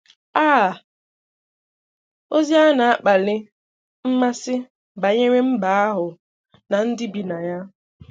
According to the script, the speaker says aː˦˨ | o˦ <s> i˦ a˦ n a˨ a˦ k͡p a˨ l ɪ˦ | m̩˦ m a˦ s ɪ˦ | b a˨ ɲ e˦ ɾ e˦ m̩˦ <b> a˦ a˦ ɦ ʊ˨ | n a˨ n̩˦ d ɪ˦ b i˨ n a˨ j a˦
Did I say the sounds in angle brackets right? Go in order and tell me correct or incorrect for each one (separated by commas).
incorrect, correct